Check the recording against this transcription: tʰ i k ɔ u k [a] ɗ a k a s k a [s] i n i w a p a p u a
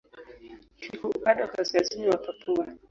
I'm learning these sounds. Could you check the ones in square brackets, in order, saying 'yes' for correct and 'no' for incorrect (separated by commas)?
yes, no